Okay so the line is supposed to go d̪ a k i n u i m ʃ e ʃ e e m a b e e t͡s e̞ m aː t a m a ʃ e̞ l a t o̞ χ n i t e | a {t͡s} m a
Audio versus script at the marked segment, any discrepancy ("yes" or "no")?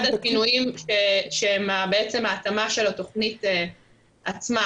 no